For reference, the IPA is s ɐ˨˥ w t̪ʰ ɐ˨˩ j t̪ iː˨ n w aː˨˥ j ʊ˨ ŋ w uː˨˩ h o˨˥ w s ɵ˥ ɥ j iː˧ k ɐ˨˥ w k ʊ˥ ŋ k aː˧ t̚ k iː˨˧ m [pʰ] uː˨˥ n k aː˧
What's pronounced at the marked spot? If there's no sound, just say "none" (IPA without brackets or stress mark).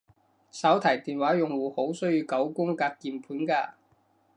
pʰ